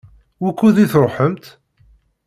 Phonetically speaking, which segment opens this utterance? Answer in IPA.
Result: w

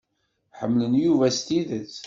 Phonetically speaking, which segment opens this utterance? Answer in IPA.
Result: ħ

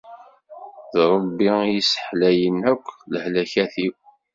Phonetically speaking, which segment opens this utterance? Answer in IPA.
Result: ð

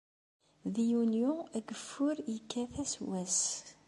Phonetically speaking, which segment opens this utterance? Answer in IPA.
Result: ð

